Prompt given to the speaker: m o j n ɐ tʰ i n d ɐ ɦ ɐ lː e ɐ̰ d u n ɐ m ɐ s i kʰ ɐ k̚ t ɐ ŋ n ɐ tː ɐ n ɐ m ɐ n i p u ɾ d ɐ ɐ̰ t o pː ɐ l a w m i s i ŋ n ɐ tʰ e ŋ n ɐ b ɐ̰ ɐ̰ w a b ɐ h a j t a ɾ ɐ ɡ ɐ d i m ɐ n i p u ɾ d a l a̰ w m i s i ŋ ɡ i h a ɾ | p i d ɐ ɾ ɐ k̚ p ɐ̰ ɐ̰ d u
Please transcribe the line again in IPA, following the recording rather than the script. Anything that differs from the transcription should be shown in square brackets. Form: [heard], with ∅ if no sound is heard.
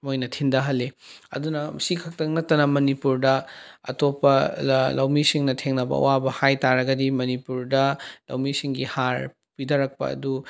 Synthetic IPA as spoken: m o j n ɐ tʰ i n d ɐ ɦ ɐ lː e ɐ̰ d u n ɐ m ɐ s i kʰ ɐ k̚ t ɐ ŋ n ɐ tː ɐ n ɐ m ɐ n i p u ɾ d ɐ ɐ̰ t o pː ɐ l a w m i s i ŋ n ɐ tʰ e ŋ n ɐ b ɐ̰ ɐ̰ w a b ɐ h a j t a ɾ ɐ ɡ ɐ d i m ɐ n i p u ɾ d [ɐ] l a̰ w m i s i ŋ ɡ i h a ɾ | p i d ɐ ɾ ɐ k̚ p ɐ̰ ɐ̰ d u